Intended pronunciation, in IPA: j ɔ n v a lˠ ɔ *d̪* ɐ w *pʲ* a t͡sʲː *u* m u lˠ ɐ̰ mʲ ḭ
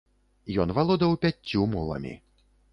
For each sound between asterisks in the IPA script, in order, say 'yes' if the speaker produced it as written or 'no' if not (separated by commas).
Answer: yes, yes, yes